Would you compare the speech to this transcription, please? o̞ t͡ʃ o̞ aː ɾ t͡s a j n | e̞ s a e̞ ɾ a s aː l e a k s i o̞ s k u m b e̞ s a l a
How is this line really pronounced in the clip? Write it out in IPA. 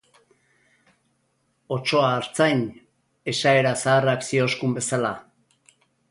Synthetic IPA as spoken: o̞ t͡ʃ o̞ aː ɾ t͡s a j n | e̞ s a e̞ ɾ a s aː r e a k s i o̞ s k u m b e̞ s a l a

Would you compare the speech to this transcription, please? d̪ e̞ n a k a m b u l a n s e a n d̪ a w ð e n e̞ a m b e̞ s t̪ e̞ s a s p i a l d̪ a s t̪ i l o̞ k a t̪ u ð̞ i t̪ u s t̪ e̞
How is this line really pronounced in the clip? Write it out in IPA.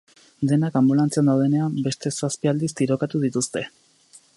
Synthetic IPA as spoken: d̪ e̞ n a k a m b u l a n t͡s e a n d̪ a w ð e n e̞ a m b e̞ s t̪ e̞ s a s p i a l d̪ i s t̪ i ɾ o̞ k a t̪ u ð̞ i t̪ u s t̪ e̞

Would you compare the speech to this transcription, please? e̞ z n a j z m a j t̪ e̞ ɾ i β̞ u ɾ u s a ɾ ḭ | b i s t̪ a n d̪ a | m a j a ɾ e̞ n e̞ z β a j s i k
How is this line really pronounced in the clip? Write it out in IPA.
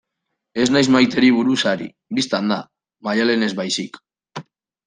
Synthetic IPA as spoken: e̞ z n a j z m a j t̪ e̞ ɾ i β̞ u ɾ u s a ɾ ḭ | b i s t̪ a n d̪ a | m a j a l e̞ n e̞ z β a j s i k

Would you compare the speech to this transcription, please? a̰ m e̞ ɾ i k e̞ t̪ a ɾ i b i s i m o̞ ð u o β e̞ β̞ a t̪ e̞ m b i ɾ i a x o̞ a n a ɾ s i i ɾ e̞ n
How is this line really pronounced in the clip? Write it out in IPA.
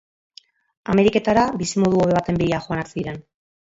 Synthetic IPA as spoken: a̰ m e̞ ɾ i k e̞ t̪ a ɾ a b i s i m o̞ ð u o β e̞ β̞ a t̪ e̞ m b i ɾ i a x o̞ a n a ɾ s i i ɾ e̞ n

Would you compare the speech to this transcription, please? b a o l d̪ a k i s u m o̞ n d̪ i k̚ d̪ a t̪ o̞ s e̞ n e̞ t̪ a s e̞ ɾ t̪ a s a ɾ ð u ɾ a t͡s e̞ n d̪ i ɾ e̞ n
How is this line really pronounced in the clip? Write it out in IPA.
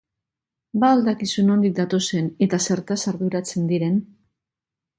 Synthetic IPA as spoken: b a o l d̪ a k i s u n o̞ n d̪ i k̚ d̪ a t̪ o̞ s e̞ n e̞ t̪ a s e̞ ɾ t̪ a s a ɾ ð u ɾ a t͡s e̞ n d̪ i ɾ e̞ n

